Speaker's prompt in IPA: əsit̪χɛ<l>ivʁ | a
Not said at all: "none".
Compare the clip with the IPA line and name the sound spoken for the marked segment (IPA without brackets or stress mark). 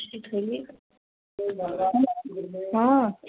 l